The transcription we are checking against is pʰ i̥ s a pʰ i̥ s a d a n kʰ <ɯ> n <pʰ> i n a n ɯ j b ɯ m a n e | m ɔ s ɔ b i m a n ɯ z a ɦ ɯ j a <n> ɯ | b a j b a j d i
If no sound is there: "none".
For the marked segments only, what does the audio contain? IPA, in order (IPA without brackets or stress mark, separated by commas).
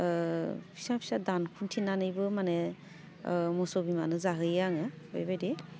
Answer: u, tʰ, ŋ